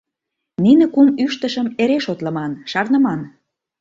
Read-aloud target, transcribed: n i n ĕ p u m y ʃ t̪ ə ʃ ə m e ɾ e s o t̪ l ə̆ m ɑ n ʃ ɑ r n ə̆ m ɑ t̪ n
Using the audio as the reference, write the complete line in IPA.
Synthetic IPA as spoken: n i n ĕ k u m y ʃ t̪ ə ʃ ə m e ɾ e ʃ o t̪ l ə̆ m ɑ n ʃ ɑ r n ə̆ m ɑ n